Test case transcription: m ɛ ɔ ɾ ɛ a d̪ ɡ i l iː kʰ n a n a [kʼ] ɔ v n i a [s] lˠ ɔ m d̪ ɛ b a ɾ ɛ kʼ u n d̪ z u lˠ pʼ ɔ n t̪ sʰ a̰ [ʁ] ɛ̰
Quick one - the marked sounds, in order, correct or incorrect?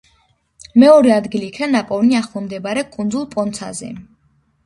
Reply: incorrect: pʼ, incorrect: χ, incorrect: z

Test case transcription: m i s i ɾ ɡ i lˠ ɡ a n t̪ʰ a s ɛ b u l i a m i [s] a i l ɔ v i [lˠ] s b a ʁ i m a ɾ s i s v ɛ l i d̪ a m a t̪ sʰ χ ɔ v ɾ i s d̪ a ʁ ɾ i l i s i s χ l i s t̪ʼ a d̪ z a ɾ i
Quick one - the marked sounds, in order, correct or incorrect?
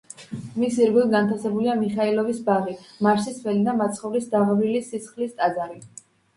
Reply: incorrect: χ, incorrect: none

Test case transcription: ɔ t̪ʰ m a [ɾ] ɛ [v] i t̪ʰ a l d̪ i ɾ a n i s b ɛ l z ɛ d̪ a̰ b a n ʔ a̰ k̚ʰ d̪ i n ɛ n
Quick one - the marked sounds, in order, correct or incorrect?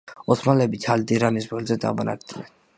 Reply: incorrect: l, incorrect: b

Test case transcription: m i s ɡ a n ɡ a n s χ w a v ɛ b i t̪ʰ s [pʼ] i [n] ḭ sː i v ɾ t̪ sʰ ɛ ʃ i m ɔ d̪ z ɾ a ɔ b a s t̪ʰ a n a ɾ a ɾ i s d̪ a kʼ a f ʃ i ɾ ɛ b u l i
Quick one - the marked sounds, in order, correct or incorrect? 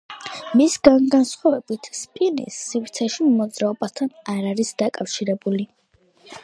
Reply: correct, correct

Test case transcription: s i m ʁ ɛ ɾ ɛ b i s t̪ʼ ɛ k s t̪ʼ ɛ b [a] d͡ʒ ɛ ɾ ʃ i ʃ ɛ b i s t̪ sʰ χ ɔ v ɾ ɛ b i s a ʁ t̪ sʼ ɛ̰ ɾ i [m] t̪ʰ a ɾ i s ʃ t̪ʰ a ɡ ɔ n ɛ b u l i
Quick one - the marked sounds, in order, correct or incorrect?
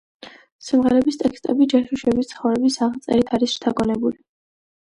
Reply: incorrect: i, incorrect: none

